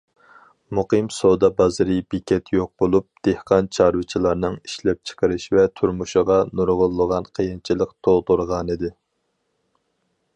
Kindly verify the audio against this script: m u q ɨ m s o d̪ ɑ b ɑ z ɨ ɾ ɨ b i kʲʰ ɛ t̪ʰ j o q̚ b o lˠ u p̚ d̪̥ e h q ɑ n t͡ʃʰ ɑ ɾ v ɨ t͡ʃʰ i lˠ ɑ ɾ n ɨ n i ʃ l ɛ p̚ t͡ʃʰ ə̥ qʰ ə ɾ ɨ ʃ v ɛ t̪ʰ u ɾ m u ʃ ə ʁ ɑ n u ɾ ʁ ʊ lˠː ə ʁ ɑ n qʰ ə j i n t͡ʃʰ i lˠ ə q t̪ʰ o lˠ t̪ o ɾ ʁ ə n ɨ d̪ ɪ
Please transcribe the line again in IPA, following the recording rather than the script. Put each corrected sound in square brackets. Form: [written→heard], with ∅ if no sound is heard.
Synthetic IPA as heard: m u q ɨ m s o d̪ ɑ b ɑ z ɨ ɾ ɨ b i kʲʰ ɛ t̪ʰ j o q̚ b o lˠ u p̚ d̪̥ e h q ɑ n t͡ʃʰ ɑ ɾ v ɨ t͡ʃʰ i lˠ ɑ ɾ n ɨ [n→ŋ] i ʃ l ɛ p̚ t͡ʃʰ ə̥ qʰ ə ɾ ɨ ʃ v ɛ t̪ʰ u ɾ m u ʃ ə ʁ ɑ n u ɾ ʁ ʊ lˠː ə ʁ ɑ n qʰ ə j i n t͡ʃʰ i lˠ ə q t̪ʰ o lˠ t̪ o ɾ ʁ [ə→ɑ] n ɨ d̪ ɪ

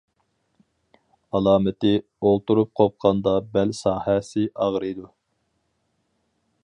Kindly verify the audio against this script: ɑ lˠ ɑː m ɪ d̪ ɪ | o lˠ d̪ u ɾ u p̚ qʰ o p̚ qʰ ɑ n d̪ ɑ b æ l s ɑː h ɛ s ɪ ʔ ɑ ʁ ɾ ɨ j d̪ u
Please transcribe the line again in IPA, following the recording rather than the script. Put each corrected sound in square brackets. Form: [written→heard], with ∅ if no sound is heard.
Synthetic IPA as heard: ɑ lˠ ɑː m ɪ [d̪→t̪] ɪ | o lˠ [d̪→t̪] u ɾ u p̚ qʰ o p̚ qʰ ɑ n d̪ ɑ b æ l s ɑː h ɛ s ɪ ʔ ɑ ʁ ɾ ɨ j d̪ u

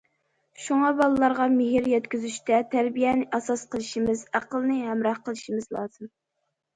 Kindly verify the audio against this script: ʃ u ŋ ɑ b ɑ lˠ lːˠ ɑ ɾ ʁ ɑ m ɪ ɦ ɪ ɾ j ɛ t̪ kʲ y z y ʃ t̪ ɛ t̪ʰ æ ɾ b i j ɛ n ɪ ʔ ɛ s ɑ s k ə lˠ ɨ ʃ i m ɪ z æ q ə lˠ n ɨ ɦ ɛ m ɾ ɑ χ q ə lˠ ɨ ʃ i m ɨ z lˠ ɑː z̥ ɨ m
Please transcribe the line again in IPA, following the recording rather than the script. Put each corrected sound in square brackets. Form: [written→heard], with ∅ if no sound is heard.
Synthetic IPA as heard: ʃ u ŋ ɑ b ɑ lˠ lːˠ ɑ ɾ ʁ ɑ m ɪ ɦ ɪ ɾ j ɛ t̪ kʲ y z y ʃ t̪ ɛ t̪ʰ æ ɾ b i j ɛ n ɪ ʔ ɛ s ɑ s [k→q] ə lˠ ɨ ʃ i m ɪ z æ q ə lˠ n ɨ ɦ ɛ m ɾ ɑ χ q ə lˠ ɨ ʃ i m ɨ z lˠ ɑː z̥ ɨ m

